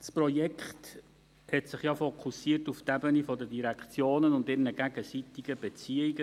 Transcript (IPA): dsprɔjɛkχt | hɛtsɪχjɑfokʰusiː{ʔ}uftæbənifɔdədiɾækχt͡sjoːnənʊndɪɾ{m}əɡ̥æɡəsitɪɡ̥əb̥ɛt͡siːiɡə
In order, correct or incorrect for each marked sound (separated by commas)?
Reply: incorrect, incorrect